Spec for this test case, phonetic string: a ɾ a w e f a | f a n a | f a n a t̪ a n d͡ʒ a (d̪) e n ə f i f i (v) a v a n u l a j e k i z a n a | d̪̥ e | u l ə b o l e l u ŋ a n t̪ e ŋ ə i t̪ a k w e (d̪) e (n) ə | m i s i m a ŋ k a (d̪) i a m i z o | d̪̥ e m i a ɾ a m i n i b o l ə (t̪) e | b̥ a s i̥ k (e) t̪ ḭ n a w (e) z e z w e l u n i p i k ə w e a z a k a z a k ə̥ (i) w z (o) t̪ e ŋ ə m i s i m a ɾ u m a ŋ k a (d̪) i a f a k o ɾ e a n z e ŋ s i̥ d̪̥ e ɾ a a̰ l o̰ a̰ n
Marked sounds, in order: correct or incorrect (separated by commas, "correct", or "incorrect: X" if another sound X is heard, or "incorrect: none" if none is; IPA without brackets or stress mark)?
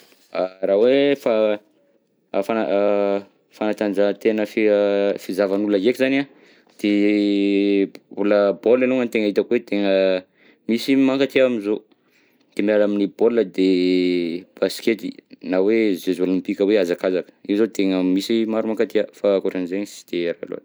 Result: incorrect: t̪, incorrect: z, incorrect: t̪, incorrect: ŋ, incorrect: t̪, incorrect: d̪, correct, correct, correct, correct, incorrect: t̪